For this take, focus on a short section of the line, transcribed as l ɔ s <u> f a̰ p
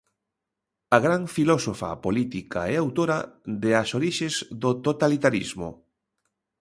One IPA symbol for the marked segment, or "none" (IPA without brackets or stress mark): o